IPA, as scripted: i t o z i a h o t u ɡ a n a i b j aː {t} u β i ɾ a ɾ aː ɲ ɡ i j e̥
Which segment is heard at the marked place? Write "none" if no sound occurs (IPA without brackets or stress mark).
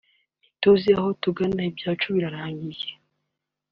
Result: t͡ʃ